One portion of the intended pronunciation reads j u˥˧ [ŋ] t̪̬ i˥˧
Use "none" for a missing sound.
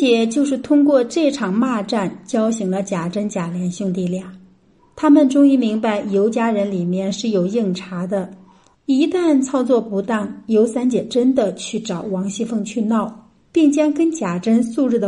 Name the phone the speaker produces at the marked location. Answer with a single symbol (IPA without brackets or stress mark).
ŋ